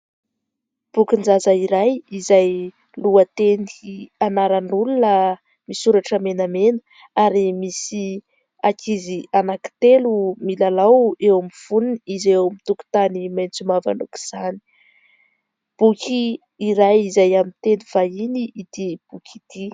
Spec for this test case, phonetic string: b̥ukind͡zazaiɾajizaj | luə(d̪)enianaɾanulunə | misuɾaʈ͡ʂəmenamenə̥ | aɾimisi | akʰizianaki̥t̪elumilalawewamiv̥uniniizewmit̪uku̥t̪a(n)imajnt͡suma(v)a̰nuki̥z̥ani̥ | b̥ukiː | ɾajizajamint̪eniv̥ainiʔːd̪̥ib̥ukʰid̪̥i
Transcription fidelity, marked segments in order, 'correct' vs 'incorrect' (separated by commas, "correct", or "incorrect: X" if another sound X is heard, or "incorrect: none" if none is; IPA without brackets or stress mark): incorrect: t̪, correct, correct